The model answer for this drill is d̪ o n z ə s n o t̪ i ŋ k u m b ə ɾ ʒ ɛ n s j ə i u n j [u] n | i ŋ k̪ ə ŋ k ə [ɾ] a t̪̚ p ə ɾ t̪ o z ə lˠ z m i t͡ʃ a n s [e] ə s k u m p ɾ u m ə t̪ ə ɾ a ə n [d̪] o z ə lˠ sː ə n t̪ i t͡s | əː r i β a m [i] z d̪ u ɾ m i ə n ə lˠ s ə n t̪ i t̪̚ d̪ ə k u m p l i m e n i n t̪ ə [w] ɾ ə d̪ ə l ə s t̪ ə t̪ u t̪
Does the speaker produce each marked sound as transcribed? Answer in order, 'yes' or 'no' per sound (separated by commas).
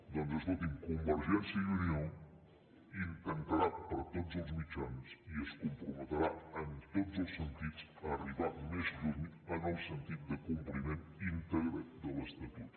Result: no, yes, no, no, no, no